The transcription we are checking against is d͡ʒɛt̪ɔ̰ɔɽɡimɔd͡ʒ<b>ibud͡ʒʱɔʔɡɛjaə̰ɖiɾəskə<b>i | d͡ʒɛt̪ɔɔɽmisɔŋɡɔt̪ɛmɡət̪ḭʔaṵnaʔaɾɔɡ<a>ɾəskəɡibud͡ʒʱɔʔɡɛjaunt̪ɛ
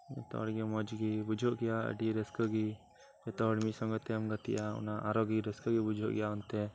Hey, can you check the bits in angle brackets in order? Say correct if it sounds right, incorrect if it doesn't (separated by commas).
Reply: incorrect, incorrect, incorrect